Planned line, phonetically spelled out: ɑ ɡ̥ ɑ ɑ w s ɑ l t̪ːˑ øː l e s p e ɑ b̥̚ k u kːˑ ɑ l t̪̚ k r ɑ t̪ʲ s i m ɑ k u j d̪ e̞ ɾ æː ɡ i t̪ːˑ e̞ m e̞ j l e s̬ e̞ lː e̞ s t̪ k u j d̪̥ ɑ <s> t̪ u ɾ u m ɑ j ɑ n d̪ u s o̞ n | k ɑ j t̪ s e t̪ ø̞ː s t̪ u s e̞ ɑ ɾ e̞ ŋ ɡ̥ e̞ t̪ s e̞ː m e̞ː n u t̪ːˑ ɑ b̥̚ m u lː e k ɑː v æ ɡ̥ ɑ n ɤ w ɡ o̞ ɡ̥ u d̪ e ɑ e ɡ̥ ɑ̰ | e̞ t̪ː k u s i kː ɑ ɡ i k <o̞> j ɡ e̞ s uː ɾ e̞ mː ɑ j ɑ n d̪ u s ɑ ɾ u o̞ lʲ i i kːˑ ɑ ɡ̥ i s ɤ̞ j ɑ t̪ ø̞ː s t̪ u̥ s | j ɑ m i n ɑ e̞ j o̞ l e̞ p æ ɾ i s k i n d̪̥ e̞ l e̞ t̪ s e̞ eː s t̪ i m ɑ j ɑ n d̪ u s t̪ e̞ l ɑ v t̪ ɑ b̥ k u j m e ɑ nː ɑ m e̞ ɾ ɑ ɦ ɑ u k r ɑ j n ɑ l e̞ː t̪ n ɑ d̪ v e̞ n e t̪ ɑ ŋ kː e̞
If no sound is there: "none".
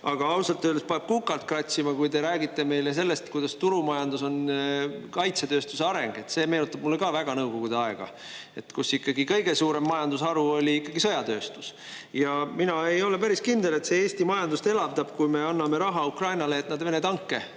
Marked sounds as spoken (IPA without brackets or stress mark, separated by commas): s, ɤ̞